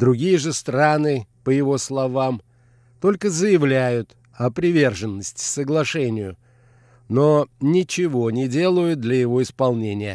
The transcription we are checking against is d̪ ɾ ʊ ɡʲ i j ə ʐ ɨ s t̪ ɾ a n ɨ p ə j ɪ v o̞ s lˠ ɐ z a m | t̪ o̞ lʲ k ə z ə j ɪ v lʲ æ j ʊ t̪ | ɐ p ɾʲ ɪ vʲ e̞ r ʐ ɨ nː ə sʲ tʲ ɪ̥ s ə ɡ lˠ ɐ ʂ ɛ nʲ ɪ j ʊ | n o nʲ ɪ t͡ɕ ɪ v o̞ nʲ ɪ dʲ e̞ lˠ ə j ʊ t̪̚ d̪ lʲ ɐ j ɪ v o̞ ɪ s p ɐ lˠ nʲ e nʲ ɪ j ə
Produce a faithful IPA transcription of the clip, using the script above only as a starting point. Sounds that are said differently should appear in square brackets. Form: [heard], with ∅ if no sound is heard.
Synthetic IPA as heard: d̪ ɾ ʊ ɡʲ i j ə ʐ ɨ s t̪ ɾ a n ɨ p ə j ɪ v o̞ s lˠ ɐ [v] a m | t̪ o̞ lʲ k ə z ə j ɪ v lʲ æ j ʊ t̪ | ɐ p ɾʲ ɪ vʲ e̞ r ʐ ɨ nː ə sʲ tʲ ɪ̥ s ə ɡ lˠ ɐ ʂ ɛ nʲ ɪ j ʊ | n o nʲ ɪ t͡ɕ ɪ v o̞ nʲ ɪ dʲ e̞ lˠ ə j ʊ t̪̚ d̪ lʲ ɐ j ɪ v o̞ ɪ s p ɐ lˠ nʲ e nʲ ɪ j ə